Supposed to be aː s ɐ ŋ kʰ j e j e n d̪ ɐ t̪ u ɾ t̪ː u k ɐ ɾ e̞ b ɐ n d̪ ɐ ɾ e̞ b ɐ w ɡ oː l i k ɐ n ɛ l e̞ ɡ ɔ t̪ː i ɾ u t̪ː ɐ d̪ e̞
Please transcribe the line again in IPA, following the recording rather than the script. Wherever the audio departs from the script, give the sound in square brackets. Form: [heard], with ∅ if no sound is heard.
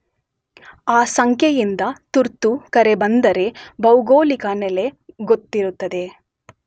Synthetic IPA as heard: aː s ɐ ŋ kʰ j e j [i] n d̪ ɐ t̪ u ɾ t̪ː u k ɐ ɾ e̞ b ɐ n d̪ ɐ ɾ e̞ b ɐ w ɡ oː l i k ɐ n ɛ l e̞ ɡ [o] t̪ː i ɾ u t̪ː ɐ d̪ e̞

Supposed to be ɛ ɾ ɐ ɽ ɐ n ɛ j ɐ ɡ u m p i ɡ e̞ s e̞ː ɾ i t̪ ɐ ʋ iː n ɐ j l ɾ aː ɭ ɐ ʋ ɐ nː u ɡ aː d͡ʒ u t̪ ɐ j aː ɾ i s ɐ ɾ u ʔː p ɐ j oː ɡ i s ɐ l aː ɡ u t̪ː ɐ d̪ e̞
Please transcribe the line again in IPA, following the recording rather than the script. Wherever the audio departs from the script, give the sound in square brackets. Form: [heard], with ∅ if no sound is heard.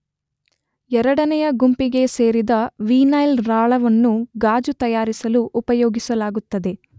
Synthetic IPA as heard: ɛ ɾ ɐ ɽ ɐ n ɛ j ɐ ɡ u m p i ɡ e̞ s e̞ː ɾ i [d̪] ɐ ʋ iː n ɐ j l ɾ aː ɭ ɐ ʋ ɐ nː u ɡ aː d͡ʒ u t̪ ɐ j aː ɾ i s ɐ [l] u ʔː p ɐ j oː ɡ i s ɐ l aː ɡ u t̪ː ɐ d̪ e̞

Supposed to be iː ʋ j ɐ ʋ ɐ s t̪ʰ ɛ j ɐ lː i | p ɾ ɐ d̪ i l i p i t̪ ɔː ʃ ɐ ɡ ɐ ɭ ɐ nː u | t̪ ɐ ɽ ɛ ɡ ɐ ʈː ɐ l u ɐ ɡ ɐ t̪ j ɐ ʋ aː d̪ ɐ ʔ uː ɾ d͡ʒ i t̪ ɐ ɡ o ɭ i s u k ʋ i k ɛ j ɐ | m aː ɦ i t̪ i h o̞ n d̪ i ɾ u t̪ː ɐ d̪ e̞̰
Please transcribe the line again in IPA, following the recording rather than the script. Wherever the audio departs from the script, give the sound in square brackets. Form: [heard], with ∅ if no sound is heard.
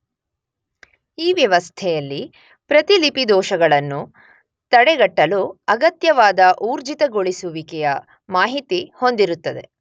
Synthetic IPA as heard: iː ʋ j ɐ ʋ ɐ s t̪ʰ ɛ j ɐ lː i | p ɾ ɐ [t̪] i l i p i [d̪] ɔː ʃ ɐ ɡ ɐ ɭ ɐ nː u | t̪ ɐ ɽ ɛ ɡ ɐ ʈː ɐ l u ɐ ɡ ɐ t̪ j ɐ ʋ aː d̪ ɐ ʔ uː ɾ d͡ʒ i t̪ ɐ ɡ o ɭ i s u [∅] ʋ i k ɛ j ɐ | m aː ɦ i t̪ i h o̞ n d̪ i ɾ u t̪ː ɐ d̪ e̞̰

